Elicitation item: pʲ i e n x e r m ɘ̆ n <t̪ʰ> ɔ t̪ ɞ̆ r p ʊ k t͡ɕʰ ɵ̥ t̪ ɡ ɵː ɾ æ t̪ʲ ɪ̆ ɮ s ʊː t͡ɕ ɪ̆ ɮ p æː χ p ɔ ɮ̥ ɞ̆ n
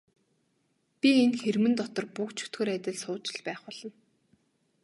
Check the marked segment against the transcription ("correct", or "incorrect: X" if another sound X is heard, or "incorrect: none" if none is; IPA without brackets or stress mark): incorrect: t̪